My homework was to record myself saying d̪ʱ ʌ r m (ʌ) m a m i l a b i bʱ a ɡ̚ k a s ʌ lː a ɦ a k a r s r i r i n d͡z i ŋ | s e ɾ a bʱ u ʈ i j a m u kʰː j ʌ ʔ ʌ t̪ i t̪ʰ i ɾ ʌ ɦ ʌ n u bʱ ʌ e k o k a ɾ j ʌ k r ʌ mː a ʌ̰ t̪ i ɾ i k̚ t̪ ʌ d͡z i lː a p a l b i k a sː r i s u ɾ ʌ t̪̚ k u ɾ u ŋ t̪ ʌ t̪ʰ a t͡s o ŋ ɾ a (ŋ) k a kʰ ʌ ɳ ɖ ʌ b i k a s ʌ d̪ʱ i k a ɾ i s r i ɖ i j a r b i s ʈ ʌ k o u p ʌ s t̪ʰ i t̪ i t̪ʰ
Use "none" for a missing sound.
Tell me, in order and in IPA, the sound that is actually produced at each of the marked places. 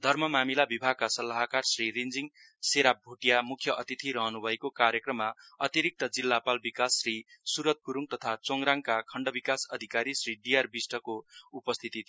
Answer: ʌ, ŋ

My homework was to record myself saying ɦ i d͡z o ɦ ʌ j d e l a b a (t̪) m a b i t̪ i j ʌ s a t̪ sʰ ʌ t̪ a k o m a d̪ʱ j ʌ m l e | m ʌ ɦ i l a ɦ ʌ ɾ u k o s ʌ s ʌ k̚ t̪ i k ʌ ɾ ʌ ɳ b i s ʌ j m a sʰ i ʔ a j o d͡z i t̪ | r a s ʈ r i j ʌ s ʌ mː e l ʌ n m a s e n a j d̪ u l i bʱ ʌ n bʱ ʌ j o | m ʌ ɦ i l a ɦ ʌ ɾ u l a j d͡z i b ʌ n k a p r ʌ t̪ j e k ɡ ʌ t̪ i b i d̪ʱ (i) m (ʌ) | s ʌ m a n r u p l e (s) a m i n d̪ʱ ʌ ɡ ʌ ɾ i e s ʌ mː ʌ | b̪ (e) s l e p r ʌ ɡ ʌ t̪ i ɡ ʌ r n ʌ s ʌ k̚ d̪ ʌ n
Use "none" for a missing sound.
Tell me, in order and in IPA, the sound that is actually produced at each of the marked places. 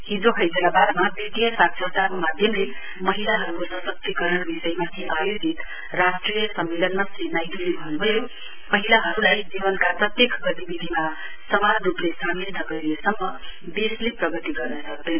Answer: d̪, i, a, s, e

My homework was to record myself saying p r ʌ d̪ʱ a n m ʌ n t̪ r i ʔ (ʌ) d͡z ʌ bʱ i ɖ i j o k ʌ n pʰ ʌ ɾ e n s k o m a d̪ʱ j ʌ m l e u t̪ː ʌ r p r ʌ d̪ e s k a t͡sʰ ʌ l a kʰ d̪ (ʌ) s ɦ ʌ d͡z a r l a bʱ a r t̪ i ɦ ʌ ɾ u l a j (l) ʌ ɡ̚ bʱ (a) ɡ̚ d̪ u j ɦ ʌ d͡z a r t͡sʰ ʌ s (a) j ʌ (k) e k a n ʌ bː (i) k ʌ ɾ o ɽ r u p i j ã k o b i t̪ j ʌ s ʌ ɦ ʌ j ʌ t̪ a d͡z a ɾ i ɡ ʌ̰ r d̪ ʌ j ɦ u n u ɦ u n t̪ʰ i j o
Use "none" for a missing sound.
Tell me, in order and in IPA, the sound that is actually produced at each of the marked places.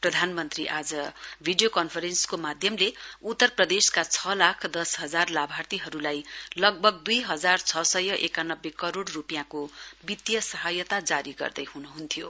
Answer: a, ʌ, l, ʌ, ʌ, ʔ, e

